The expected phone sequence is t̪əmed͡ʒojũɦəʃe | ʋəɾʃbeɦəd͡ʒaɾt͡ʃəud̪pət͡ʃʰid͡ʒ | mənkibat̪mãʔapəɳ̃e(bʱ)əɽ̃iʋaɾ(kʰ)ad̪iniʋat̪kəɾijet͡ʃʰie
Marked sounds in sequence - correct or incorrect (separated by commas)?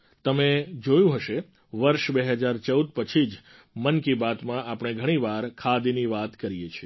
incorrect, correct